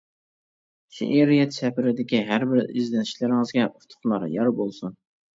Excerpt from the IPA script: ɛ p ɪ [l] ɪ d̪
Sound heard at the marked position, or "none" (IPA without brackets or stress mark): ɾ